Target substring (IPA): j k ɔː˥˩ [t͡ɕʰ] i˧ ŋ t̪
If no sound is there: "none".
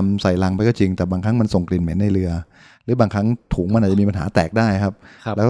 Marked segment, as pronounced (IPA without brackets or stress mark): t͡ɕ